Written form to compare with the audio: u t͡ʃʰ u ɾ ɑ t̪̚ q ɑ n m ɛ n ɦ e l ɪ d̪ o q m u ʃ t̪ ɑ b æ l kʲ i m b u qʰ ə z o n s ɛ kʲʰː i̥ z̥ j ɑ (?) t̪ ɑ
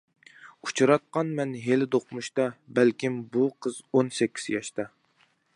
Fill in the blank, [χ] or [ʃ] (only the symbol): ʃ